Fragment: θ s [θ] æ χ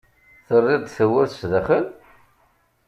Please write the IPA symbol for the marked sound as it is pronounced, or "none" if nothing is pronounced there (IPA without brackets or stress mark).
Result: ð